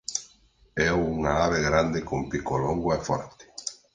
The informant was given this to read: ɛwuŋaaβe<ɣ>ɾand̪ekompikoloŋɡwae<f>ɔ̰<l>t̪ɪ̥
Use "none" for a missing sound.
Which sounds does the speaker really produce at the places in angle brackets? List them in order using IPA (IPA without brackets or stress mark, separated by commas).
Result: ɣ, f, ɾ